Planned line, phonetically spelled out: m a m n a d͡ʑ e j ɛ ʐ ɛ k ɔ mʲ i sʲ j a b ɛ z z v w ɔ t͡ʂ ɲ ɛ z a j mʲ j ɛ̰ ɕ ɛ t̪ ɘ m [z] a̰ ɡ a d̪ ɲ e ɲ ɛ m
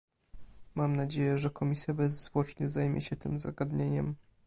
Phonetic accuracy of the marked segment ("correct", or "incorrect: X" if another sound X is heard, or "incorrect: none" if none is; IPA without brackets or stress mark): correct